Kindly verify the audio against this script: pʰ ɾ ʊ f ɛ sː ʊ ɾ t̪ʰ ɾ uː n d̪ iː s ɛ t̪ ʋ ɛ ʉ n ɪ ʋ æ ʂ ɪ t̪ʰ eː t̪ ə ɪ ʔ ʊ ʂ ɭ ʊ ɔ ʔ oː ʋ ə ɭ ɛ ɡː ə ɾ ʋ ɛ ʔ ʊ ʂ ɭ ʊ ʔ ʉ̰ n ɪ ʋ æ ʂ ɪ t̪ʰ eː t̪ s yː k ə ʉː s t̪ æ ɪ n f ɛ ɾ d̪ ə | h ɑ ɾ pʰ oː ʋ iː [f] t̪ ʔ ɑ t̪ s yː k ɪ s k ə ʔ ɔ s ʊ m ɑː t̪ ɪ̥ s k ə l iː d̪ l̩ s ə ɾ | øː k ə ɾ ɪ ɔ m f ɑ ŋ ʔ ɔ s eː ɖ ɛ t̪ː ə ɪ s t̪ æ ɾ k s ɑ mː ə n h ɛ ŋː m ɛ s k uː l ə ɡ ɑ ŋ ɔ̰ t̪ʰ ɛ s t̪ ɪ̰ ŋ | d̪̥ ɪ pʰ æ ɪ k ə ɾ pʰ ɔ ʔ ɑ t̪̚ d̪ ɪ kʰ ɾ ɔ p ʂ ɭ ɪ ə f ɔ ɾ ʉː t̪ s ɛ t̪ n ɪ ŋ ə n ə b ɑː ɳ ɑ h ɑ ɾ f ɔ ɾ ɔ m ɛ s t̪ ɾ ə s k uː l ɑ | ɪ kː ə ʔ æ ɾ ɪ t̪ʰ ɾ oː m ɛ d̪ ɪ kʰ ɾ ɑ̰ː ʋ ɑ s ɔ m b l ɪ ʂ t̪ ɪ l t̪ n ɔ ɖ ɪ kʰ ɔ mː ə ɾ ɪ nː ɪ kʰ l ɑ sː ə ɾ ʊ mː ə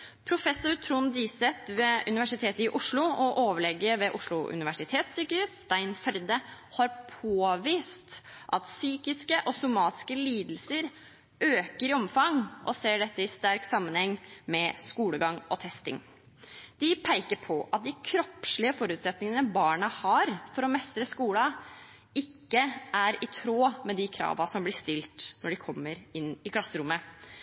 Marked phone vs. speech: incorrect: s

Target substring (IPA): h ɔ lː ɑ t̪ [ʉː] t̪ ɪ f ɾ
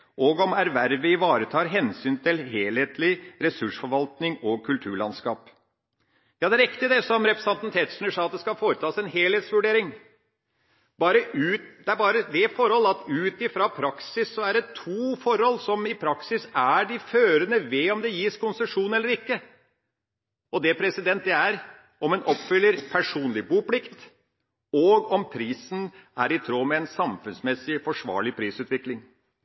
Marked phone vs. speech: correct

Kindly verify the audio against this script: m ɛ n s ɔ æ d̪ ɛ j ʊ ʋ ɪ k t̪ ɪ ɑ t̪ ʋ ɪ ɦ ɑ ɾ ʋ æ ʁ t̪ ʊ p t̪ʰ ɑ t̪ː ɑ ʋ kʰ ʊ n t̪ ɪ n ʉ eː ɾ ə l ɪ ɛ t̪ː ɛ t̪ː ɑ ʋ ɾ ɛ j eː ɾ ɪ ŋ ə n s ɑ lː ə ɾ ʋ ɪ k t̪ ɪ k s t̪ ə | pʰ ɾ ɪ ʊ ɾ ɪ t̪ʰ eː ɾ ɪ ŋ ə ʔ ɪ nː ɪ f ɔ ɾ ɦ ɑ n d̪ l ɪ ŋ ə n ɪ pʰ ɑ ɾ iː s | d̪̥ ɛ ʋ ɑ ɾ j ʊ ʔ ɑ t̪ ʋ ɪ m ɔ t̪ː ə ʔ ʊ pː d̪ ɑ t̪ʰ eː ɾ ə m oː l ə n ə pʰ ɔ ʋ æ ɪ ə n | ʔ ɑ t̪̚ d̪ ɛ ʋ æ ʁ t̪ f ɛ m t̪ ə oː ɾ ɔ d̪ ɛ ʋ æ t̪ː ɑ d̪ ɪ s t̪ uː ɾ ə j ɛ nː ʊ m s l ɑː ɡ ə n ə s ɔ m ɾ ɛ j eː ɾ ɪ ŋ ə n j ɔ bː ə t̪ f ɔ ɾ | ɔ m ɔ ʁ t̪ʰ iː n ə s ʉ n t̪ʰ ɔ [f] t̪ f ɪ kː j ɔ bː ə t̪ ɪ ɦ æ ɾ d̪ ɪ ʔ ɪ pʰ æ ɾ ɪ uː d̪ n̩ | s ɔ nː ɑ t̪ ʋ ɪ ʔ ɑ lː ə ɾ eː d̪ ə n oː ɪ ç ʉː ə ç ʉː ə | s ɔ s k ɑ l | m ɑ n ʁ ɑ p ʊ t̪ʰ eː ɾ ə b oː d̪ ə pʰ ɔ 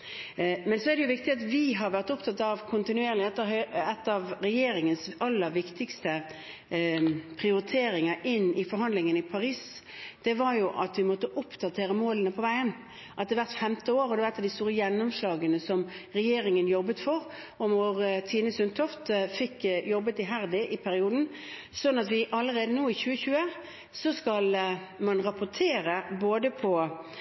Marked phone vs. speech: correct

